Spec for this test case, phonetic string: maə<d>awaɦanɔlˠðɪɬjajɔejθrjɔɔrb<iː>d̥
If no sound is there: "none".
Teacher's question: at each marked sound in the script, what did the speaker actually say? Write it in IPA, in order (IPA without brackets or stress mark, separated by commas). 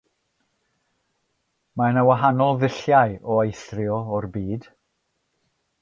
n, iː